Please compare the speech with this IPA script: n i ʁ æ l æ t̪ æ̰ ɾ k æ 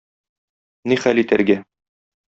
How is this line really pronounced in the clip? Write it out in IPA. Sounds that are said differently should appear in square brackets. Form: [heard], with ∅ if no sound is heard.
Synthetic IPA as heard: n i [χ] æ l [i] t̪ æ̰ ɾ [ɡ] æ